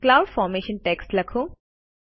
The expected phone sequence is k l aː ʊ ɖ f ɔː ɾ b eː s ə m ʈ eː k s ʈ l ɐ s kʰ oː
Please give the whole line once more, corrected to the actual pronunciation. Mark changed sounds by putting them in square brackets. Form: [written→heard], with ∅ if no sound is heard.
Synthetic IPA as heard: k l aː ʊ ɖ f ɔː ɾ [b→m] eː [s→ʃ] ə [m→n] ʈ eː k s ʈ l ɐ [s→∅] kʰ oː